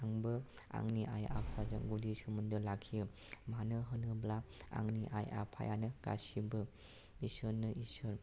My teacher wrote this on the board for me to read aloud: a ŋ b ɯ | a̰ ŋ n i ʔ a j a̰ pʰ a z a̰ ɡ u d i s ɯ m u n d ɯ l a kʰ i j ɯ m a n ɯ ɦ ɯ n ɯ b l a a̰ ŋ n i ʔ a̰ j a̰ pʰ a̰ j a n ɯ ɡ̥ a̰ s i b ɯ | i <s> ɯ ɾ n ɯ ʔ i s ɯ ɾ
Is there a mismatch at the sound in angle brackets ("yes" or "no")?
no